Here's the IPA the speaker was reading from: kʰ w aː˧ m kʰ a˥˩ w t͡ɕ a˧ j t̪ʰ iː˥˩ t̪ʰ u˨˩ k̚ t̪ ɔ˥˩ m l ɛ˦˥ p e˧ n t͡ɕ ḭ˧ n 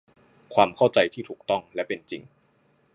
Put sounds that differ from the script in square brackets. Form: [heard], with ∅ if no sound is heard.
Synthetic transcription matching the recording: kʰ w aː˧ m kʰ a˥˩ w t͡ɕ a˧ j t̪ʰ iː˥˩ t̪ʰ [uː˨˩] k̚ t̪ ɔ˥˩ [ŋ] l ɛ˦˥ p e˧ n t͡ɕ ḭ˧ [ŋ]